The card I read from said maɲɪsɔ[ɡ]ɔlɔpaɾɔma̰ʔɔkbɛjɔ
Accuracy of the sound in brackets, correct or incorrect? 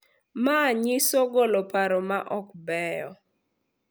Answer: correct